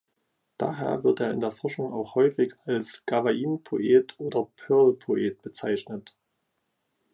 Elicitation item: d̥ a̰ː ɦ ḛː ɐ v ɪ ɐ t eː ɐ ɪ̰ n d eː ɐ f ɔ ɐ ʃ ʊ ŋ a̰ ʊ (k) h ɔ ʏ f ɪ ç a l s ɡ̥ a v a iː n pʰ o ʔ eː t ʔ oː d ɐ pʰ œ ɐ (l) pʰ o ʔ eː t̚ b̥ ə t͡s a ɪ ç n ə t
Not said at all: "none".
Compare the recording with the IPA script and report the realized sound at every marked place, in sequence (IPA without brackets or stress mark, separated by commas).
x, l